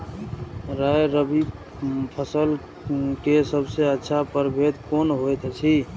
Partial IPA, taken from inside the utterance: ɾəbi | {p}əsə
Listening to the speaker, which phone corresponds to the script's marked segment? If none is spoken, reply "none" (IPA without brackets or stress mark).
pʰ